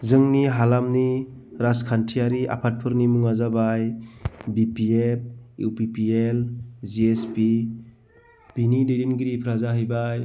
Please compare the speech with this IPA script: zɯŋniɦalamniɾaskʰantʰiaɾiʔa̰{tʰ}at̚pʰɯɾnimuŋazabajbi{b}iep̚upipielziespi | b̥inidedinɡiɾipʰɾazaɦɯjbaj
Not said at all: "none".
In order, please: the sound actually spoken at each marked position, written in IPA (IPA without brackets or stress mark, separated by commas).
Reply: pʰ, p